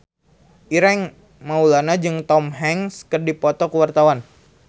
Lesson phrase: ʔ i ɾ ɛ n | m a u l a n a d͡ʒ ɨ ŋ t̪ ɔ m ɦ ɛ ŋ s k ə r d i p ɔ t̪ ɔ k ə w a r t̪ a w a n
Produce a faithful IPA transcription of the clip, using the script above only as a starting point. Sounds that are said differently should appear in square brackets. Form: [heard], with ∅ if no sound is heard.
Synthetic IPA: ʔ i ɾ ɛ [ŋ] | m a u l a n a d͡ʒ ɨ ŋ t̪ ɔ m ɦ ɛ ŋ s k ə r d i p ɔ t̪ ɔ k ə w a r t̪ a w a n

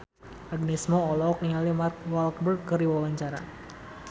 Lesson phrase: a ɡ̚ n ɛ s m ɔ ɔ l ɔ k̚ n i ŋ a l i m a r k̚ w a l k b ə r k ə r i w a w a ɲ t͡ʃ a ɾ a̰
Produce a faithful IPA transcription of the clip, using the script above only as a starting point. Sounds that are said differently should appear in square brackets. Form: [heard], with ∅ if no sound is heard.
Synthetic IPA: a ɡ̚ n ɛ s m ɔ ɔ l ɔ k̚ n i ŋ a l i m a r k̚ w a l k b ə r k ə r i w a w a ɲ t͡ʃ a ɾ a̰

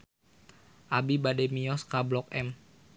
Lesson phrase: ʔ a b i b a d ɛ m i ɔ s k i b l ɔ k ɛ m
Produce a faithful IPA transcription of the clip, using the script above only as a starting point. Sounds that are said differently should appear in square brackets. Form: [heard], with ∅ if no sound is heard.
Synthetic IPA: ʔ a b i b a d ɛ m i ɔ s k [a] b l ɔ k ɛ m

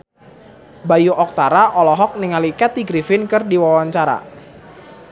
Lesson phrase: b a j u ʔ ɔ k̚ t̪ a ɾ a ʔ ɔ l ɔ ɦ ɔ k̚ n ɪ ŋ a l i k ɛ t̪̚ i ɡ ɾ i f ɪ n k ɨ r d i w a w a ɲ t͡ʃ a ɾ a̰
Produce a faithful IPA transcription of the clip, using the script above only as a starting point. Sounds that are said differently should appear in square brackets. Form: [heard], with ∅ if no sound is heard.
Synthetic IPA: b a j u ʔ ɔ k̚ t̪ a ɾ a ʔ ɔ l ɔ ɦ ɔ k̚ n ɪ ŋ a l i k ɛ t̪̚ i ɡ ɾ i f ɪ n k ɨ r d i w a w a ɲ t͡ʃ a ɾ a̰

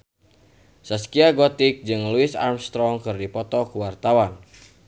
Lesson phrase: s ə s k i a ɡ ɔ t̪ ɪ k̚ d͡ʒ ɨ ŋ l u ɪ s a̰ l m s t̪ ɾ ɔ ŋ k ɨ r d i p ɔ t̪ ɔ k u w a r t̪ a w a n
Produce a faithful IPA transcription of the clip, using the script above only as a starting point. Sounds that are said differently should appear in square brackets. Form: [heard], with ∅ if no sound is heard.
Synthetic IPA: s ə s k i a ɡ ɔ t̪ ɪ k̚ d͡ʒ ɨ ŋ l u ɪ s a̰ [r] m s t̪ ɾ ɔ ŋ k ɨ r d i p ɔ t̪ ɔ k u w a r t̪ a w a n

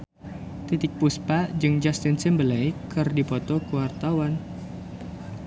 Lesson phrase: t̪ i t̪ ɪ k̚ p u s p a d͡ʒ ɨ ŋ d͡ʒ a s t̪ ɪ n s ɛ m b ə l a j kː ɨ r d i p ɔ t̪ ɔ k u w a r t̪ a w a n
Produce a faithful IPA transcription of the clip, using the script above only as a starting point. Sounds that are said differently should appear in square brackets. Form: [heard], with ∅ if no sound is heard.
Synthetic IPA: t̪ i t̪ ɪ k̚ p u s p a d͡ʒ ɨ ŋ d͡ʒ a s t̪ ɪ n s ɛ m b ə l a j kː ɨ r d i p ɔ t̪ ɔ k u w a r t̪ a w a n

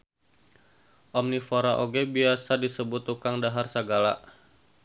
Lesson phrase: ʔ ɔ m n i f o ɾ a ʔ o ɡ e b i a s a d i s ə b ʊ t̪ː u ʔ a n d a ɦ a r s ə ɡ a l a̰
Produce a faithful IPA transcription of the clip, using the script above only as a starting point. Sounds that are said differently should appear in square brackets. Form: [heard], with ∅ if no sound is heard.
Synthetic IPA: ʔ ɔ m n i f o ɾ a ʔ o ɡ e b i a s a d i s ə b ʊ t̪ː u [k] a [ŋ] d a ɦ a r s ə ɡ a l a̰

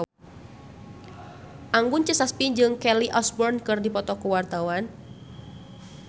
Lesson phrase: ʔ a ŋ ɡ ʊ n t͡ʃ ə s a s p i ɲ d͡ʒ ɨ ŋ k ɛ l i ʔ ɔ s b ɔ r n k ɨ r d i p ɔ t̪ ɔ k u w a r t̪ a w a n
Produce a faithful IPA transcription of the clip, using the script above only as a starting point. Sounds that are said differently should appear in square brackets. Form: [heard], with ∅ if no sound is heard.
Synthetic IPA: ʔ a ŋ ɡ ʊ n t͡ʃ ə s a s p i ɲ d͡ʒ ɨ ŋ k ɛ l i ʔ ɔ s b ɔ r n k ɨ r d i p ɔ t̪ ɔ k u w a r t̪ a w a n

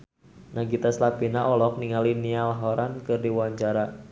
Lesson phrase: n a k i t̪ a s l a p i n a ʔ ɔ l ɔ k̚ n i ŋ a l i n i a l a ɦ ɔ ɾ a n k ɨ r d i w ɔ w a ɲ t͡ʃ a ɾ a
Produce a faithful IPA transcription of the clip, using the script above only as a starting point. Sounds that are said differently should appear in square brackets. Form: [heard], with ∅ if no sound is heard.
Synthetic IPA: n a [ɡ] i t̪ a s l a p i n a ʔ ɔ l ɔ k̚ n i ŋ a l i n i a l a ɦ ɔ ɾ a n k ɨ r d i w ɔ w a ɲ t͡ʃ a ɾ a

